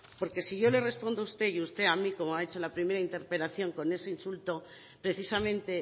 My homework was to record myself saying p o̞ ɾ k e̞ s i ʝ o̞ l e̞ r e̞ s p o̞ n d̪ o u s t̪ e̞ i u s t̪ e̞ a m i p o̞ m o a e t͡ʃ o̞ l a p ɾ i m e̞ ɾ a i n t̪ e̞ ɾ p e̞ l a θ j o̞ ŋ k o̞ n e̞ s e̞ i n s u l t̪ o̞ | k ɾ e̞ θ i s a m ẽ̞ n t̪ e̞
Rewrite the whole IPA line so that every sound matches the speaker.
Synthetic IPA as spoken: p o̞ ɾ k e̞ s i ʝ o̞ l e̞ r e̞ s p o̞ n d̪ o u s t̪ e̞ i u s t̪ e̞ a m i k o̞ m o a e t͡ʃ o̞ l a p ɾ i m e̞ ɾ a i n t̪ e̞ ɾ p e̞ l a θ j o̞ ŋ k o̞ n e̞ s e̞ i n s u l t̪ o̞ | p ɾ e̞ θ i s a m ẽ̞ n t̪ e̞